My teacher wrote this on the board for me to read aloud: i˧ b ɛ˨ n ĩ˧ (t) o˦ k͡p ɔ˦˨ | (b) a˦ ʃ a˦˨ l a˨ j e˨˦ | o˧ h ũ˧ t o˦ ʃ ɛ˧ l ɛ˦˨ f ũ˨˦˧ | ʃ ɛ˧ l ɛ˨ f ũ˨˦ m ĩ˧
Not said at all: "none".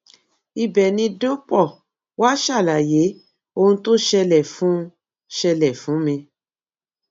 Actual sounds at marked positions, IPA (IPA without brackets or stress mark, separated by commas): d, w